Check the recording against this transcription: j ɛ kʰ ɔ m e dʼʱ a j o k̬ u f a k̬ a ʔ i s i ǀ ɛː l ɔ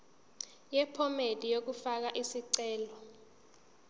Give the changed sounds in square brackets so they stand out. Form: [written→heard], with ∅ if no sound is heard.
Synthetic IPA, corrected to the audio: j ɛ [kʰ→pʰ] ɔ m e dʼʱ [a→i] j o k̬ u f a k̬ a ʔ i s i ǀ ɛː l ɔ